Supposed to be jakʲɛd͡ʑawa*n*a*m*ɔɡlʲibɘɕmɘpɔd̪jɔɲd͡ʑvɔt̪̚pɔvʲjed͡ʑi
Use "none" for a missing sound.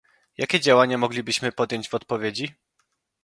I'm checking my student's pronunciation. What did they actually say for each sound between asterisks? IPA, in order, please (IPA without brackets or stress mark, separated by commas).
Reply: ɲ, m